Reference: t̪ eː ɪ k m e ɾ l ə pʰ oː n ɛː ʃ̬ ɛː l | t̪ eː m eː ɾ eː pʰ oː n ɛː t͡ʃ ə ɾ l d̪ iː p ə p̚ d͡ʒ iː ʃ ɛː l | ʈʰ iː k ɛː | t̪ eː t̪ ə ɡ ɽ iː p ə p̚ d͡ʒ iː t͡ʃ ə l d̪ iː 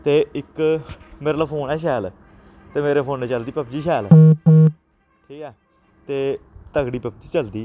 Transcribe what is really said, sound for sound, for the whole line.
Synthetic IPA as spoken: t̪ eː ɪ k m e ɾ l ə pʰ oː n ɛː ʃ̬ ɛː l | t̪ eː m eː ɾ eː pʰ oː n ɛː t͡ʃ ə l d̪ iː p ə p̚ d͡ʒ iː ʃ ɛː l | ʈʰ iː k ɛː | t̪ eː t̪ ə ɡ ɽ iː p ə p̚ d͡ʒ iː t͡ʃ ə l d̪ iː